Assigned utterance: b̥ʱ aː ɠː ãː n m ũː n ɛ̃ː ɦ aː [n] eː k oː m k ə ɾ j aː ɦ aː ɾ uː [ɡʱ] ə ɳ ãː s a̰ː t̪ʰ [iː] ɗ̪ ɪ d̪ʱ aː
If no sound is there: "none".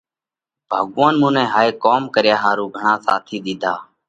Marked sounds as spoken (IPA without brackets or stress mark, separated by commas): none, ɡʱ, iː